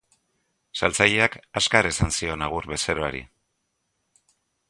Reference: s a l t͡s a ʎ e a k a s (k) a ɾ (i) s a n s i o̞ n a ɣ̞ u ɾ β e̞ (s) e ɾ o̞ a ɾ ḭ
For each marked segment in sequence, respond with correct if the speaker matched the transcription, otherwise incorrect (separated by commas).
correct, incorrect, correct